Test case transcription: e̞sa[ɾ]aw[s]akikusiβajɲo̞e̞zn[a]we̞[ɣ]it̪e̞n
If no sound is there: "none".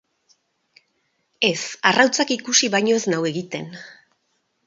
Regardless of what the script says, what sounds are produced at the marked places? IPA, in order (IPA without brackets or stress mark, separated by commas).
r, t͡s, a, ɣ